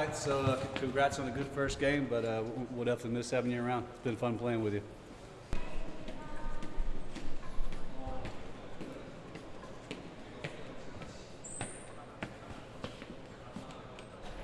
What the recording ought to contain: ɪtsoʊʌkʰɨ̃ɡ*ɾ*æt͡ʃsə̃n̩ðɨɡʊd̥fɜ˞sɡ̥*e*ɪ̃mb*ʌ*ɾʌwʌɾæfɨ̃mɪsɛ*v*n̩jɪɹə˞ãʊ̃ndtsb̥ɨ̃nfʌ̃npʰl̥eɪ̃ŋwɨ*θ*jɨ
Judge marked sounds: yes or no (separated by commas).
no, no, yes, yes, no